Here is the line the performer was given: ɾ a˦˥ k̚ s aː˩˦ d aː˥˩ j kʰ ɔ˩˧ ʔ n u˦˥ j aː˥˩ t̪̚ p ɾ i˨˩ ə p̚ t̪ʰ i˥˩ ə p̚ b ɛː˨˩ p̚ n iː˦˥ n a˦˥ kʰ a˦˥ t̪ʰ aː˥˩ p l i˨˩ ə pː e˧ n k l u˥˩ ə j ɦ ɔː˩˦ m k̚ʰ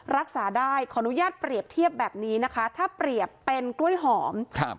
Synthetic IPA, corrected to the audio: ɾ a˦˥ k̚ s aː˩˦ d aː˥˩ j kʰ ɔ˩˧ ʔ n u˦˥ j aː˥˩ t̪̚ p ɾ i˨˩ ə p̚ t̪ʰ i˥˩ ə p̚ b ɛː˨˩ p̚ n iː˦˥ n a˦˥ kʰ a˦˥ t̪ʰ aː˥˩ p ɾ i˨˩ ə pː e˧ n k l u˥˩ ə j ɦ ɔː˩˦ m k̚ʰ